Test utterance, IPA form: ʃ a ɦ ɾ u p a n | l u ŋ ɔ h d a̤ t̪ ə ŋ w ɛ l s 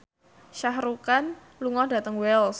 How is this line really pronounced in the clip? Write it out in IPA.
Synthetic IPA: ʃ a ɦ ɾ u k a n | l u ŋ ɔ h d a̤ t̪ ə ŋ w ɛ l s